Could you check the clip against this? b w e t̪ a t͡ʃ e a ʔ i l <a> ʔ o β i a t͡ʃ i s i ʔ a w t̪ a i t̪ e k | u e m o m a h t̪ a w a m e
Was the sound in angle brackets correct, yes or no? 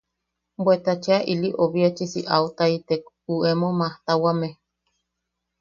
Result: no